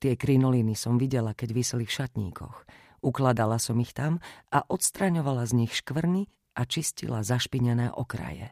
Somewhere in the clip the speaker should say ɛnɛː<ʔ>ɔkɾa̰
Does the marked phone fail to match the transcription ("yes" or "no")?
no